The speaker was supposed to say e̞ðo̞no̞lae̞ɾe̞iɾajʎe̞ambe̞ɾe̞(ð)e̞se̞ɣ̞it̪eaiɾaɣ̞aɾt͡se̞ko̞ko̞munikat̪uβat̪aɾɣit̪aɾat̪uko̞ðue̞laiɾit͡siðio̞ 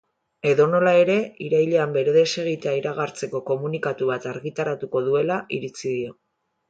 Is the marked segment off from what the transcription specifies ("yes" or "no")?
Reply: no